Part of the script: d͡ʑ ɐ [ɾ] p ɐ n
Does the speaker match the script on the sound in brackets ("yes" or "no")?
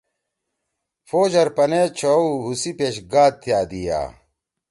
yes